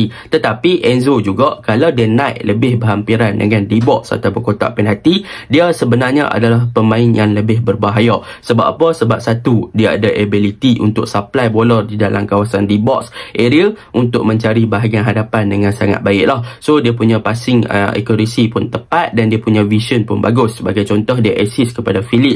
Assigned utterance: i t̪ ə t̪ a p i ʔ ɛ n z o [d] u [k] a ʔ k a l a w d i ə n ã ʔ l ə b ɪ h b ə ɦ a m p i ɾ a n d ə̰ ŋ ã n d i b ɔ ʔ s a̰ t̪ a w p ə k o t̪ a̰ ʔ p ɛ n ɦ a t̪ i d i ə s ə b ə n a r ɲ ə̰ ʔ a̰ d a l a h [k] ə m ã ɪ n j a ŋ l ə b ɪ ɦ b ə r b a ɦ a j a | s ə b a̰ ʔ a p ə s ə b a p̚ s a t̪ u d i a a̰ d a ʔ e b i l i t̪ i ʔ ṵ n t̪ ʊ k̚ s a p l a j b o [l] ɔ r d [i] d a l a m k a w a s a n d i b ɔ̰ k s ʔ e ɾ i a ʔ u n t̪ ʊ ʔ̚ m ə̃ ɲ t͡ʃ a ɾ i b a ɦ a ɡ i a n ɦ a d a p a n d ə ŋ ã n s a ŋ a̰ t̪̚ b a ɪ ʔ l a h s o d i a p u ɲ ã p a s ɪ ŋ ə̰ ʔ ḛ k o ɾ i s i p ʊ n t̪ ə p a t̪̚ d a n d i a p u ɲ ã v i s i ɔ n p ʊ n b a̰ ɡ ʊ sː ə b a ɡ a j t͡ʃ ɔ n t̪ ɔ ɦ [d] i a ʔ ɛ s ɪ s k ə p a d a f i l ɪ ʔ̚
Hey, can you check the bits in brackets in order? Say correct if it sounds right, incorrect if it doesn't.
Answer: incorrect, incorrect, incorrect, correct, correct, correct

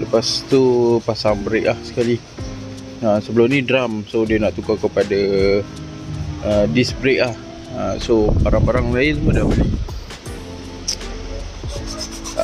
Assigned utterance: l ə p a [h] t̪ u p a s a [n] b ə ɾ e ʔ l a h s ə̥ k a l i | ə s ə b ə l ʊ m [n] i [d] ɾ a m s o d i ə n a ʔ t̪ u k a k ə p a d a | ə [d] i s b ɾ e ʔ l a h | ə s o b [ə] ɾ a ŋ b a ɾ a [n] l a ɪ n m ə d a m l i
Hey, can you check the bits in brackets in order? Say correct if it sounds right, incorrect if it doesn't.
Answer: incorrect, incorrect, correct, correct, correct, incorrect, incorrect

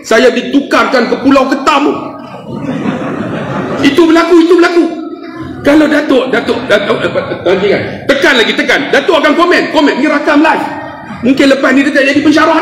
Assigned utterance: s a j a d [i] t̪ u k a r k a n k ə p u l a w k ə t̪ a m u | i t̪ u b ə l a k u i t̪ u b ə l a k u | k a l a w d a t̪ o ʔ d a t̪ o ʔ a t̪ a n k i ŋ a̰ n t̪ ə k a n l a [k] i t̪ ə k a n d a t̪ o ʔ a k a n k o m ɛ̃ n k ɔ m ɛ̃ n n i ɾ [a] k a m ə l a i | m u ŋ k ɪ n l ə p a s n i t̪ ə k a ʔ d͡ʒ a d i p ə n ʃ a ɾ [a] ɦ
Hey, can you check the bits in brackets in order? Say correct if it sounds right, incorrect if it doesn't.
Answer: correct, incorrect, correct, correct

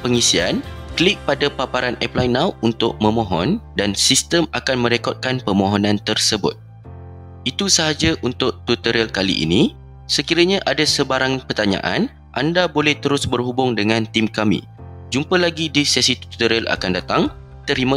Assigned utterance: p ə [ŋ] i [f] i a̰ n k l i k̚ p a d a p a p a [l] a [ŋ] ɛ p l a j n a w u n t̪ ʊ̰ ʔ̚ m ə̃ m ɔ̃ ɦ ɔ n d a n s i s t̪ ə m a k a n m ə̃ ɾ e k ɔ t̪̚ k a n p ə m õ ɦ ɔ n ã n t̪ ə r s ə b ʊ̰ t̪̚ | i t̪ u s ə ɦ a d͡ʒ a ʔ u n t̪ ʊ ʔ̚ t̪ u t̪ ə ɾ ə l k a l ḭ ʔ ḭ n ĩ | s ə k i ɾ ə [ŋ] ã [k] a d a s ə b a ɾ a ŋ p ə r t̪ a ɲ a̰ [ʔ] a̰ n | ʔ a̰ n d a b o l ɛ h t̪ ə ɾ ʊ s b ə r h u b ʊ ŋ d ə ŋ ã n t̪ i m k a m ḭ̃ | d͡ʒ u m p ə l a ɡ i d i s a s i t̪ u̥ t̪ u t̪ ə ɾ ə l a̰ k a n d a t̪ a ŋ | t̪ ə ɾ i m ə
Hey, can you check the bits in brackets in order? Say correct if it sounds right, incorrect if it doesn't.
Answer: correct, incorrect, incorrect, incorrect, incorrect, incorrect, correct

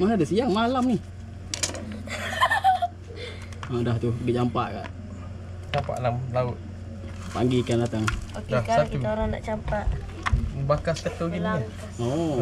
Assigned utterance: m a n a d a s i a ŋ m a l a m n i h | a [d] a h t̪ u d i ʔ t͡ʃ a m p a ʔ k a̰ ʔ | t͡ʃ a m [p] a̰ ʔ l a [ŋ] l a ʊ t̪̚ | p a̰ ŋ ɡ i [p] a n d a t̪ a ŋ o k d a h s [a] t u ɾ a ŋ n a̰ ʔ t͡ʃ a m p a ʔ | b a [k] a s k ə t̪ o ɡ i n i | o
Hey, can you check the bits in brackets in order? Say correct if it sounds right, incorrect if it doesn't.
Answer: correct, correct, incorrect, incorrect, correct, correct

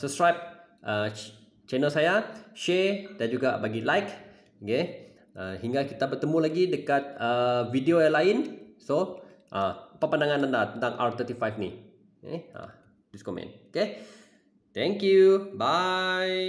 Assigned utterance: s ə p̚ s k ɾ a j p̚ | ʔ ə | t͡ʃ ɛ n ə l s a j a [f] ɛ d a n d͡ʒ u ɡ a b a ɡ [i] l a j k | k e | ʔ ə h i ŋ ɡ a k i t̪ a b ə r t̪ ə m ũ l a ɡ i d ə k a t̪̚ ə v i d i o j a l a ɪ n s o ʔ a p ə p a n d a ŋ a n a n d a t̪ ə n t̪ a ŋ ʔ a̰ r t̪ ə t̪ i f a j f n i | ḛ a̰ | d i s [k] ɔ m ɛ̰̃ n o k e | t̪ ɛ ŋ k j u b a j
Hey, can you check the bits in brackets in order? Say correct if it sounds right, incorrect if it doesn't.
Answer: incorrect, correct, correct

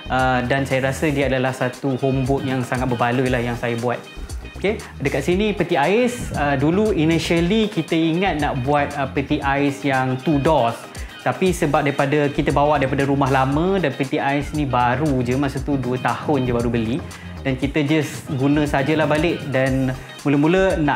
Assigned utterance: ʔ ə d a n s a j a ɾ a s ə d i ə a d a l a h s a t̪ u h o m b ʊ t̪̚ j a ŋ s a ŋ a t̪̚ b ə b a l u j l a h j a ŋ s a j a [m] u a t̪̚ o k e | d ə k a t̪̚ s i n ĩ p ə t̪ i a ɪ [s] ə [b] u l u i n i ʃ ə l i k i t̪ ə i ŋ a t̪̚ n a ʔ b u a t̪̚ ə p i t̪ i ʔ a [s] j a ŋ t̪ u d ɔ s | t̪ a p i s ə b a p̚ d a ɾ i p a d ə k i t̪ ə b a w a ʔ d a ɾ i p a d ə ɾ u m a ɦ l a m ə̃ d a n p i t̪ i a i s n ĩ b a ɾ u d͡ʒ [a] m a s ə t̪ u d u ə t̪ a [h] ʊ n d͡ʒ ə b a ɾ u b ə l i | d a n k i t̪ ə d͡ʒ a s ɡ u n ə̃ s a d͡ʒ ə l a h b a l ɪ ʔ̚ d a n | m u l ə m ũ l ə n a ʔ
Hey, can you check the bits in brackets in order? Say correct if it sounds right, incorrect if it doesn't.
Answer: incorrect, correct, incorrect, correct, incorrect, correct

